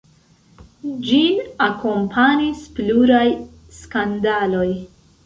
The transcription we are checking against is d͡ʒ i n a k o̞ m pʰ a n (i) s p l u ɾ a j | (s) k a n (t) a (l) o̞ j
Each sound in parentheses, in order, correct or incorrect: correct, correct, incorrect, correct

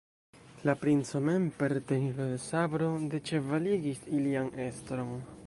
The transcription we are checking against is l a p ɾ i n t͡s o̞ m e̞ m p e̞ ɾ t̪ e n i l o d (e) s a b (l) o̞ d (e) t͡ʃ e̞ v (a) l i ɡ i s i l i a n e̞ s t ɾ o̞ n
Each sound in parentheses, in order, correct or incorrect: correct, incorrect, correct, correct

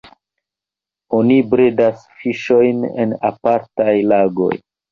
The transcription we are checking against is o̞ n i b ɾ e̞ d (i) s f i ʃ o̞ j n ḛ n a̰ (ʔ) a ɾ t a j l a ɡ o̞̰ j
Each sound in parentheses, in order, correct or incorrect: incorrect, incorrect

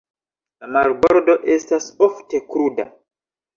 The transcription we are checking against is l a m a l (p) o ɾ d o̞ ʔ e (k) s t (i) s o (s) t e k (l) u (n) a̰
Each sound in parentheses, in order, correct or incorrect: incorrect, incorrect, incorrect, incorrect, incorrect, incorrect

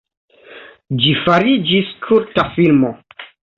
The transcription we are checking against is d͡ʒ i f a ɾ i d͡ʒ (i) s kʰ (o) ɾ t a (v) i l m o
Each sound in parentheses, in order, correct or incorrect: correct, incorrect, incorrect

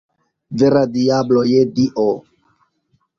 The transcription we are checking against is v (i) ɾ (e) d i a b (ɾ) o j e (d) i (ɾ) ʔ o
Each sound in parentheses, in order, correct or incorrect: incorrect, incorrect, incorrect, correct, incorrect

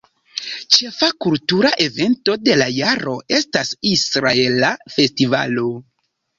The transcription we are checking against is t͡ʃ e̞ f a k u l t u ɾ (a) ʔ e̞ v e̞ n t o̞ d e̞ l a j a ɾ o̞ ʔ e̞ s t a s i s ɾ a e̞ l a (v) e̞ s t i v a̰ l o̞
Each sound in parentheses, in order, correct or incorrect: correct, incorrect

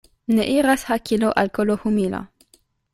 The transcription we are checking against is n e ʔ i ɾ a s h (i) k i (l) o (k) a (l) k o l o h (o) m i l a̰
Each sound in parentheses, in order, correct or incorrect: incorrect, correct, incorrect, correct, incorrect

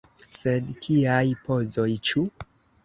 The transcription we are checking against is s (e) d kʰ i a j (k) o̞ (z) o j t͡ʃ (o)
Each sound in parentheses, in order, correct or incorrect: correct, incorrect, correct, incorrect

